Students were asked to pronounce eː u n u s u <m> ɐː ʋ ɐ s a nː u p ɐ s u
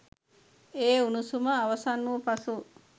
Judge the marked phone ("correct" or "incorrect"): correct